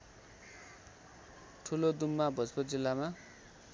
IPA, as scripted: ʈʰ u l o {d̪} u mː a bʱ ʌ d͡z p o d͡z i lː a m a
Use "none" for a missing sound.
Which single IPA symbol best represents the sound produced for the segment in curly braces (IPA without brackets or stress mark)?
d̪